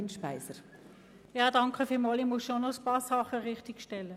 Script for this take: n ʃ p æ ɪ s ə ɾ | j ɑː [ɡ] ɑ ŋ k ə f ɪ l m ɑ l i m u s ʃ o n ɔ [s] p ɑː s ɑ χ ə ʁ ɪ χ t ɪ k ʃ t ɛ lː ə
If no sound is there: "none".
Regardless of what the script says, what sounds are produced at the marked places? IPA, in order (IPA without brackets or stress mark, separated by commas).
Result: d, s